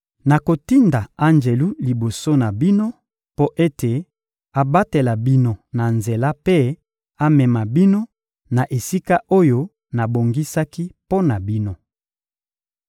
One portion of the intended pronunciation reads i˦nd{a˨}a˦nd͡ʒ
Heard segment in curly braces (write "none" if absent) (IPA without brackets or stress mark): a˨